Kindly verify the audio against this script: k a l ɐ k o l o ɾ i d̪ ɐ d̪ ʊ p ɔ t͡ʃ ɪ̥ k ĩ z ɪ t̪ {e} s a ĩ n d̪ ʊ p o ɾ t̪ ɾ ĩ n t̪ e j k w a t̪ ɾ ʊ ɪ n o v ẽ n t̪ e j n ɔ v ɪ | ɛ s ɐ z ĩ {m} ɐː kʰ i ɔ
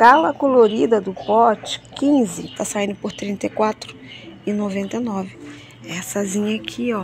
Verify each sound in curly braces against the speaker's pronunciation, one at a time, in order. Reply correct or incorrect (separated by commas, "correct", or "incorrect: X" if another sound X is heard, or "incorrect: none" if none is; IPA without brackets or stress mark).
incorrect: a, incorrect: ɲ